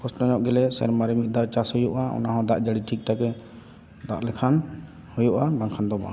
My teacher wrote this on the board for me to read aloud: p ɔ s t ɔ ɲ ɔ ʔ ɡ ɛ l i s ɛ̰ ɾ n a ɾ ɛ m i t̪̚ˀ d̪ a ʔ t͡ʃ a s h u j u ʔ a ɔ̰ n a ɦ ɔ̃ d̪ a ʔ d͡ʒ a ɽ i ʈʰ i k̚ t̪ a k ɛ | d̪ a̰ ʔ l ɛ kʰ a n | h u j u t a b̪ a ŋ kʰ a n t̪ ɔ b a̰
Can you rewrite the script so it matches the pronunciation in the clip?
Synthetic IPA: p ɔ s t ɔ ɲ ɔ ʔ ɡ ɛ l ɛ s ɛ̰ ɾ m a ɾ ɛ m i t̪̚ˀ d̪ a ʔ t͡ʃ a s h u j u ʔ a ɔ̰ n a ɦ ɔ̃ d̪ a ʔ d͡ʒ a ɽ i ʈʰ i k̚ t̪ a k ɛ | d̪ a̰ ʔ l ɛ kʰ a n | h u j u ʔ a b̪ a ŋ kʰ a n d̪ ɔ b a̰